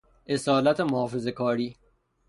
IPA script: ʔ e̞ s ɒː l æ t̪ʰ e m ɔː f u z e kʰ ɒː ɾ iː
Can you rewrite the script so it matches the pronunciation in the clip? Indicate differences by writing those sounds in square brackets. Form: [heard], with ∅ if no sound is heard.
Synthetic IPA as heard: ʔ e̞ s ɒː l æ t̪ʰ e m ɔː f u z e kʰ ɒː ɾ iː